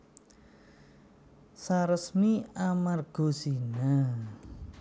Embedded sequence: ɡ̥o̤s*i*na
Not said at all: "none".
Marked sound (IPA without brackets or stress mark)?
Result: i